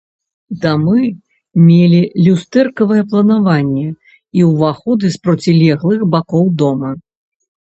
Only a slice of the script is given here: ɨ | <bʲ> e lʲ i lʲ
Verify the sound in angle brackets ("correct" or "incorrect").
incorrect